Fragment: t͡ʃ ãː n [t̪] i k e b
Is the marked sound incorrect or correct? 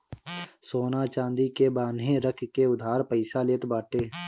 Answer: incorrect